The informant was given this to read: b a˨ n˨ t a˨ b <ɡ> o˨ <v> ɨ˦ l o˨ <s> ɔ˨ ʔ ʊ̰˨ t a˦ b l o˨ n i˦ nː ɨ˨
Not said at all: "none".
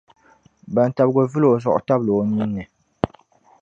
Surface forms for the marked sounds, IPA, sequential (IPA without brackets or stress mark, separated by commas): ɡ, v, z